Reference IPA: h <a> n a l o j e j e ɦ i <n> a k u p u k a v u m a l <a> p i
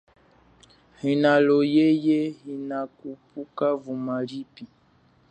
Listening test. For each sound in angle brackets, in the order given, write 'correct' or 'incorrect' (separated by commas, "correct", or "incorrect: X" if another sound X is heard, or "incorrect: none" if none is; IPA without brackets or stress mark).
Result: incorrect: i, correct, incorrect: i